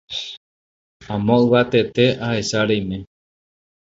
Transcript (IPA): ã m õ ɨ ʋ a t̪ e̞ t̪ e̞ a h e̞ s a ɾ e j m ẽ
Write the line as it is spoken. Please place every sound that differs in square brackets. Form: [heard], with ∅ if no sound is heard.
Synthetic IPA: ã m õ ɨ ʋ a t̪ e̞ t̪ e̞ a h e̞ s a ɾ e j m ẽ